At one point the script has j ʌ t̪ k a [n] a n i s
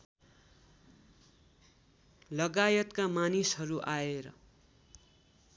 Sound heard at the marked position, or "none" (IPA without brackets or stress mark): m